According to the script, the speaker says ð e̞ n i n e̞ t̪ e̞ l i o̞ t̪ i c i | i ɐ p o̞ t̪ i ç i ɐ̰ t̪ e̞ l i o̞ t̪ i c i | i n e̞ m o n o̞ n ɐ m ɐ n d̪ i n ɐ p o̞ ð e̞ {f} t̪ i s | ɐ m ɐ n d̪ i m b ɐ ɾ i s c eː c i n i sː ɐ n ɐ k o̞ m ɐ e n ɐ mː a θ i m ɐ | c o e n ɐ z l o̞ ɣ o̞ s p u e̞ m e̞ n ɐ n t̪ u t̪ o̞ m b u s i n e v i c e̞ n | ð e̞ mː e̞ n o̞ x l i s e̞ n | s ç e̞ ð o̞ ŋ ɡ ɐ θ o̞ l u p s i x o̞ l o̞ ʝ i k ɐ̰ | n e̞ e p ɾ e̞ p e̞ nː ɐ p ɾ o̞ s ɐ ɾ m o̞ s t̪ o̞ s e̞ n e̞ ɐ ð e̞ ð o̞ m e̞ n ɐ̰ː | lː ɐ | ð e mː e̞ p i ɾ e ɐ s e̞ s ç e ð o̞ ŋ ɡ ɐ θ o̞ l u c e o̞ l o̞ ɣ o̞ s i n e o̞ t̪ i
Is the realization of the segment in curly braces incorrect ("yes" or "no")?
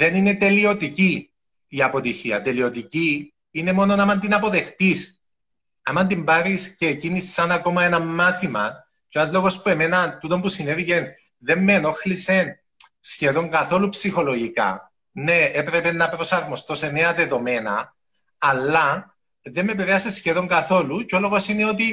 yes